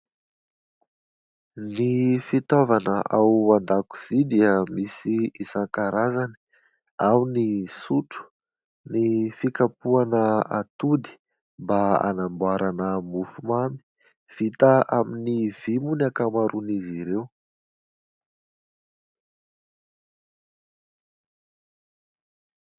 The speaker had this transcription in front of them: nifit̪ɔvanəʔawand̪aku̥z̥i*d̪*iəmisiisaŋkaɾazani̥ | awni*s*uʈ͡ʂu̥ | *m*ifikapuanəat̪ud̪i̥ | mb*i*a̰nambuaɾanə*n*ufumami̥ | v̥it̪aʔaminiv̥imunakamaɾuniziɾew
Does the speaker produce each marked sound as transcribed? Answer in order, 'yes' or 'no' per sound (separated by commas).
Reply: yes, yes, no, no, no